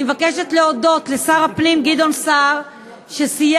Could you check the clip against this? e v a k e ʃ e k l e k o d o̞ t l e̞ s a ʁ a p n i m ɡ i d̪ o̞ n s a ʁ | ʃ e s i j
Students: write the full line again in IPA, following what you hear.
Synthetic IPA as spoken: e v a k e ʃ e t l e o d o̞ t l e̞ s a ʁ a p n i m ɡ i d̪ o̞ n s a ʁ | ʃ e s i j

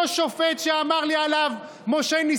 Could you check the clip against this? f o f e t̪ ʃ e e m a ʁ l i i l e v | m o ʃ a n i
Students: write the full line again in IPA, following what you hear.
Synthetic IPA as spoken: ʃ o f e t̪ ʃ e a m a ʁ l i a l a v | m o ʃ e n i

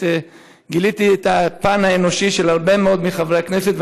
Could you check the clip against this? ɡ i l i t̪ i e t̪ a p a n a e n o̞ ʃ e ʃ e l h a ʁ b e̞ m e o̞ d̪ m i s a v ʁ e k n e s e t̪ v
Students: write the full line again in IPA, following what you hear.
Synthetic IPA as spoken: ɡ i l i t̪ i e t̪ a p a n a e n o̞ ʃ i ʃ e l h a ʁ b e̞ m e o̞ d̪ m i χ a v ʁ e k n e s e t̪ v

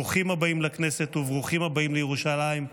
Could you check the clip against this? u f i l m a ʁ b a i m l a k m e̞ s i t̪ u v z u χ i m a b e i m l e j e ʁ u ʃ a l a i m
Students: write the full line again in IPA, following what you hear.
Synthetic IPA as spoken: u χ i m a b a i m l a k n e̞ s e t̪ u v ʁ u χ i m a b a i m l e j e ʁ u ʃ a l a i m

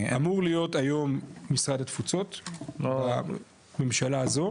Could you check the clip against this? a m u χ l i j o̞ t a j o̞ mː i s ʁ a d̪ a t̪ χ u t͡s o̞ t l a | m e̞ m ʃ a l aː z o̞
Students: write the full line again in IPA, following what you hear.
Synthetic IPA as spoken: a m u ʁ l i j o̞ t a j o̞ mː i s ʁ a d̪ a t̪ f u t͡s o̞ t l a | m e̞ m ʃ a l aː z o̞

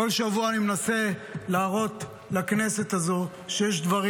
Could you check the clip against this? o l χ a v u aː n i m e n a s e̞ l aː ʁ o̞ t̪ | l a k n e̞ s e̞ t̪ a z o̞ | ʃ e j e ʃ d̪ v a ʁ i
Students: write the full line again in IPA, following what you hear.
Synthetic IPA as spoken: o l ʃ a v u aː n i m e n a s e̞ l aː ʁ o̞ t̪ | l a k n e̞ s e̞ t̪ a z o̞ | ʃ e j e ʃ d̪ v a ʁ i

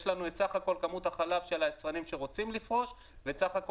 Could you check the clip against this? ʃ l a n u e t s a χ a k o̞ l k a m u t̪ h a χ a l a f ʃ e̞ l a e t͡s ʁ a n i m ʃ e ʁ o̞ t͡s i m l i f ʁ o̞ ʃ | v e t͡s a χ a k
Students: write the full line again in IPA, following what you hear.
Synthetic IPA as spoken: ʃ l a n u e t s a χ a k o̞ l k a m u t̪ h a χ a l a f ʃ e̞ l a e t͡s ʁ a n i m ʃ e ʁ o̞ t͡s i m l i f ʁ o̞ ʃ | v e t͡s a χ a k

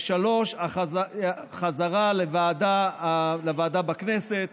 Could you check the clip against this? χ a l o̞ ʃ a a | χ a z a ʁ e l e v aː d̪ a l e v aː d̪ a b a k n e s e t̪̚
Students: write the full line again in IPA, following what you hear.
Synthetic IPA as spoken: ʃ a l o̞ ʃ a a | χ a z a ʁ a l e v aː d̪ a l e v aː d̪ a b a k n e s e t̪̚

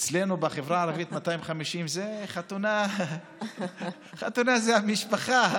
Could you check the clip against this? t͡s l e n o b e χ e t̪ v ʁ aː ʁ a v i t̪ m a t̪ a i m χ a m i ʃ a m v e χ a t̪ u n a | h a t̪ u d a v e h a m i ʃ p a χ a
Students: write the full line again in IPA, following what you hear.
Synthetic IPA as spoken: t͡s l e n u b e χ e v ʁ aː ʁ a v i t̪ m a t̪ a i m χ a m i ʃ i m z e χ a t̪ u n a | χ a t̪ u n a z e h a m i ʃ p a χ a

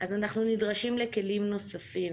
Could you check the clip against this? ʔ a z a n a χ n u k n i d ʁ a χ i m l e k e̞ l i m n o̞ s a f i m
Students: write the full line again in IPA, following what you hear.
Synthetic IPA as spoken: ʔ a z a n a χ n u n i d ʁ a ʃ i m l e k e̞ l i m n o̞ s a f i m

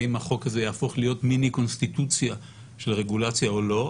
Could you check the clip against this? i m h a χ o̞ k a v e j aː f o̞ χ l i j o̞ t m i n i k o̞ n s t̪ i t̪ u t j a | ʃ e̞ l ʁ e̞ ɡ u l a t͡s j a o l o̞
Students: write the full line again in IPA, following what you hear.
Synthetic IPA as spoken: i m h a χ o̞ k a z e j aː f o̞ χ l i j o̞ t m i n i k o̞ n s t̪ i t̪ u t͡s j a | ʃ e̞ l ʁ e̞ ɡ u l a t͡s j a o l o̞

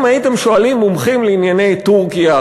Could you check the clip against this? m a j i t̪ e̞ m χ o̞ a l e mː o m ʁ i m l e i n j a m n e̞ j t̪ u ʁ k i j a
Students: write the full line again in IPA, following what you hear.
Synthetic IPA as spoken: m a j i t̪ e̞ m ʃ o̞ a l i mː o m χ i m l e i n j a n e̞ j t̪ u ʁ k i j a

